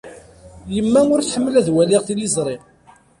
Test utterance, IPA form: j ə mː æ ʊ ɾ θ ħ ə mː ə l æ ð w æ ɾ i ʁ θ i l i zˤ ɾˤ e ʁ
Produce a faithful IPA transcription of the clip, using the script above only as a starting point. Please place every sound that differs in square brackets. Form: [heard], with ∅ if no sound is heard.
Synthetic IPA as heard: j ə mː æ ʊ ɾ θ ħ ə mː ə l æ ð w æ [l] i ʁ θ i l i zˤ ɾˤ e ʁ